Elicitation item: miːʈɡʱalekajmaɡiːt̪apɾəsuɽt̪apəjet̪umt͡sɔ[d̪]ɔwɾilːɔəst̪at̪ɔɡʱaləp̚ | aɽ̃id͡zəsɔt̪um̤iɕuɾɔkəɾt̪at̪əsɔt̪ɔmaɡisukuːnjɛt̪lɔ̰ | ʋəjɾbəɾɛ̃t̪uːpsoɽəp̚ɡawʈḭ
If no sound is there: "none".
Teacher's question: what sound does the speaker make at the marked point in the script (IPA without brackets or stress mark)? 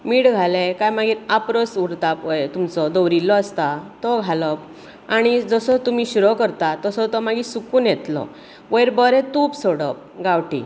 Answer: d̪